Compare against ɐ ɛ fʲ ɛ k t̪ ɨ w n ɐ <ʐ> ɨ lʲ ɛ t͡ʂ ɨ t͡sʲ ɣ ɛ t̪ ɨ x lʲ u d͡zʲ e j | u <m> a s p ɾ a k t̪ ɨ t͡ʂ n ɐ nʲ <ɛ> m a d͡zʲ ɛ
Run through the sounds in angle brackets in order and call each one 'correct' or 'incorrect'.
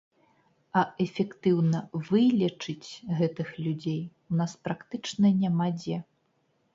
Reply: incorrect, incorrect, incorrect

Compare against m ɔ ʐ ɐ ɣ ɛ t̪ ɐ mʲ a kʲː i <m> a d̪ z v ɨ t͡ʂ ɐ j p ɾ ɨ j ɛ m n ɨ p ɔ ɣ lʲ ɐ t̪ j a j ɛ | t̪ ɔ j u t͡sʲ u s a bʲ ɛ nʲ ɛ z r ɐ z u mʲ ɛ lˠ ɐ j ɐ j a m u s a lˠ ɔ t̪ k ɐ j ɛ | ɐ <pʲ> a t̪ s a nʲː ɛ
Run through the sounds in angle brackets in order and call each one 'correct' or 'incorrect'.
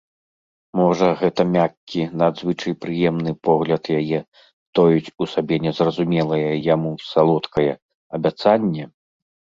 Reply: incorrect, incorrect

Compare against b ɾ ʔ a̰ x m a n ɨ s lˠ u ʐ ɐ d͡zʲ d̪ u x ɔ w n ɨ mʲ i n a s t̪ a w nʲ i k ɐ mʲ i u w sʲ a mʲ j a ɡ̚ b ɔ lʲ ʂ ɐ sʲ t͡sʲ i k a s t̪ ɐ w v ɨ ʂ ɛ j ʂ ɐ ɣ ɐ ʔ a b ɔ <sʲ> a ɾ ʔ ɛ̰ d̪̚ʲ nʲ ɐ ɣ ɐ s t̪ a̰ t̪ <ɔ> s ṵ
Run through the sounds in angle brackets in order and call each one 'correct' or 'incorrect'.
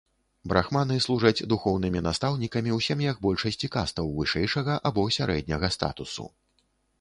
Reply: correct, incorrect

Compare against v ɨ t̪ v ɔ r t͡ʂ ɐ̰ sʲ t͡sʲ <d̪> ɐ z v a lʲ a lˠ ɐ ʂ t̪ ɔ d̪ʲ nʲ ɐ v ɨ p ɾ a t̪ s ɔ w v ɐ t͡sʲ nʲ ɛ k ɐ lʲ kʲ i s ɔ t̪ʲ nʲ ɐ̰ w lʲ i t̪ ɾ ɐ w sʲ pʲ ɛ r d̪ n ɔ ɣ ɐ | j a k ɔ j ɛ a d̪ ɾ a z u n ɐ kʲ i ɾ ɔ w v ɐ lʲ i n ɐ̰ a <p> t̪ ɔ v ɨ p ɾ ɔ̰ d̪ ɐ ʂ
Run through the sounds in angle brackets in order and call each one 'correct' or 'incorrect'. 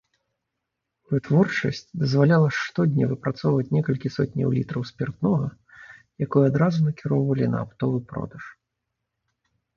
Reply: correct, correct

